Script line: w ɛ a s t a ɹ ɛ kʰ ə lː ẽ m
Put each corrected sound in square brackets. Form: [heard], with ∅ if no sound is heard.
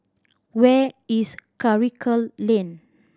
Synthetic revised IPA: w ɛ [i] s [k] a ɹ [i] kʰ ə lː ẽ [n]